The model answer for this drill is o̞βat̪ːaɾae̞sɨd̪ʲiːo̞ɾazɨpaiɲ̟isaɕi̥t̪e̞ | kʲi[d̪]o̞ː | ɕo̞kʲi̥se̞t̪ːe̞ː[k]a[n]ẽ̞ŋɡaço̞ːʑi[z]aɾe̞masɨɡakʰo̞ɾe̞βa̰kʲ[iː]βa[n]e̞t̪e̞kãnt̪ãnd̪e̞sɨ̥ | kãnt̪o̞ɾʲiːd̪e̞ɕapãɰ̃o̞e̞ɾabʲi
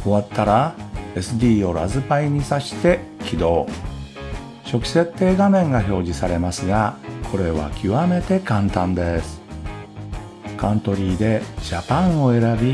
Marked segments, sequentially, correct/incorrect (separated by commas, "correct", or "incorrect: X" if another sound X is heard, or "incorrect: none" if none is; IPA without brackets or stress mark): correct, incorrect: ɡ, incorrect: m, incorrect: s, incorrect: i, incorrect: m